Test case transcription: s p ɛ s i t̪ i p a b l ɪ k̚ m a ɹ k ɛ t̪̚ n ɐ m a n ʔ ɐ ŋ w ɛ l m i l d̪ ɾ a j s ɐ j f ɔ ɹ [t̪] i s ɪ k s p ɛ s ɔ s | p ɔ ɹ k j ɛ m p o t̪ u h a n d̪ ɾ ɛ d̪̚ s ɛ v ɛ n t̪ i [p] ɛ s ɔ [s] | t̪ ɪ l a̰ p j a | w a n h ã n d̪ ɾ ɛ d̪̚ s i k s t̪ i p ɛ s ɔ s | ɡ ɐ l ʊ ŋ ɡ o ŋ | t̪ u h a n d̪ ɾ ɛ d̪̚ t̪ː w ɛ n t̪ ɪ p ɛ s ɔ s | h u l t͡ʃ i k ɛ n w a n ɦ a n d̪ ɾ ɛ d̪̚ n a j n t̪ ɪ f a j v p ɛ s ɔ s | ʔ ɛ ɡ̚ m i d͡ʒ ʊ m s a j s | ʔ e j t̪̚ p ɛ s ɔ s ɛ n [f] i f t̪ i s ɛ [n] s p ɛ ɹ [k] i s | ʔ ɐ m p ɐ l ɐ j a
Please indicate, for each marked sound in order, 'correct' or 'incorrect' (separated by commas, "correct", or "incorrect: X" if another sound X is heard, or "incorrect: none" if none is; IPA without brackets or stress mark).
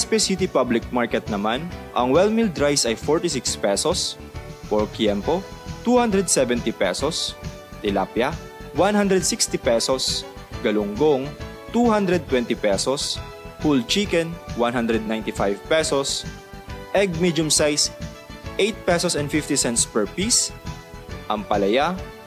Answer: correct, correct, correct, correct, correct, incorrect: p